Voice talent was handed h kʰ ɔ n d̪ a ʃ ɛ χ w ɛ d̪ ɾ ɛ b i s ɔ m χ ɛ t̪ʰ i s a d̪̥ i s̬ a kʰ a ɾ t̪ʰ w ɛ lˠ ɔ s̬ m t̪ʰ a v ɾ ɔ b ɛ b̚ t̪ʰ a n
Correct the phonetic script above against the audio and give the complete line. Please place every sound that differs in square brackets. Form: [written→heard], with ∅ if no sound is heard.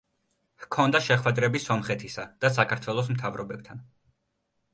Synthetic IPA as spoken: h kʰ ɔ n d̪ a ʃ ɛ χ w ɛ d̪ ɾ ɛ b i s ɔ m χ ɛ t̪ʰ i s a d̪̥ [i→a] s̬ a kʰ a ɾ t̪ʰ w ɛ lˠ ɔ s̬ m t̪ʰ a v ɾ ɔ b ɛ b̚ t̪ʰ a n